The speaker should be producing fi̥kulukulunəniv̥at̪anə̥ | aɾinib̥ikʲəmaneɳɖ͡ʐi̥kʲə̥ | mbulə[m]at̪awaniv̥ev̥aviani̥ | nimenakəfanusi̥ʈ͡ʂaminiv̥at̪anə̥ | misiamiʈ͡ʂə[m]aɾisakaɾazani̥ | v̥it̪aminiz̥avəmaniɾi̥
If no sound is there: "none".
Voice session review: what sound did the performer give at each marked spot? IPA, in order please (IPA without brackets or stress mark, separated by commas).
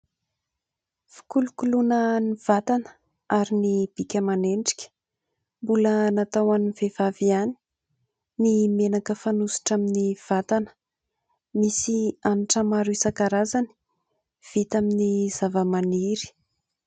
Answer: n, m